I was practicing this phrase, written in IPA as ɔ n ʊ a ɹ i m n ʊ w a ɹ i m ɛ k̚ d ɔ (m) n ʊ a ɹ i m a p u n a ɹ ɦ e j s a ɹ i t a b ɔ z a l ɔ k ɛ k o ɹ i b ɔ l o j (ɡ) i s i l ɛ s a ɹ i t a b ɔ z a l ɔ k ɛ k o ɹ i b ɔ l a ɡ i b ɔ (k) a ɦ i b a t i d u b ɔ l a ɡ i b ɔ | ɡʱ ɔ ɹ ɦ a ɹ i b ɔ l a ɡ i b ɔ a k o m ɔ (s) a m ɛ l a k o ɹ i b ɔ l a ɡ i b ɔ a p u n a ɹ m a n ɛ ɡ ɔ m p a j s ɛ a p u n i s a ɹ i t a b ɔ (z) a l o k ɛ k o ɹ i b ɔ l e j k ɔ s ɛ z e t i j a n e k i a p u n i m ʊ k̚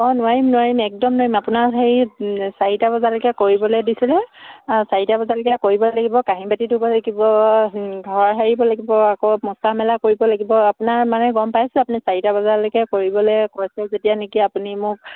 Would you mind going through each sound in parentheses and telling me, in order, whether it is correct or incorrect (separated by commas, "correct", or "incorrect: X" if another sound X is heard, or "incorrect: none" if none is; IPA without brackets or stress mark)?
correct, incorrect: d, correct, correct, correct